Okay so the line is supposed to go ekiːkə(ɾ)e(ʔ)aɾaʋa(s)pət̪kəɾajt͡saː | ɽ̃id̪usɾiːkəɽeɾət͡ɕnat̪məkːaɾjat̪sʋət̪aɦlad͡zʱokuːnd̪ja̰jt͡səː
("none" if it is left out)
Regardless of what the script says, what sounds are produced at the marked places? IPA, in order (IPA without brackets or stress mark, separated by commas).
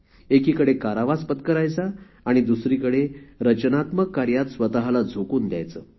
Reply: ɽ, k, s